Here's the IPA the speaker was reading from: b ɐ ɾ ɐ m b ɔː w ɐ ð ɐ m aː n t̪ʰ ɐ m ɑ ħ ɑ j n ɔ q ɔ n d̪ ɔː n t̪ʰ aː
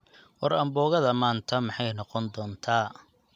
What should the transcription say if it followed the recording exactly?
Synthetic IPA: w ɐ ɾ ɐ m b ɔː ɣ ɐ ð ɐ m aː n t̪ʰ ɐ m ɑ ħ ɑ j n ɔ q ɔ n d̪ ɔː n t̪ʰ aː